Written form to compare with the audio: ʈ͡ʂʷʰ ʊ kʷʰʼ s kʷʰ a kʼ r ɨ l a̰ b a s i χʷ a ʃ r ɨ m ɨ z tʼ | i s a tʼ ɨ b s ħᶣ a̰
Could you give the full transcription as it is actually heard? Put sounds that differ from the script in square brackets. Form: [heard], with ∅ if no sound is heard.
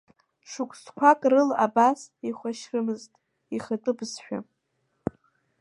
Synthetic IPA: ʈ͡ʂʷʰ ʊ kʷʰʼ s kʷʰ a kʼ r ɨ l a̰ b a s i χʷ a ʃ r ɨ m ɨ z tʼ | i [χ] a tʼ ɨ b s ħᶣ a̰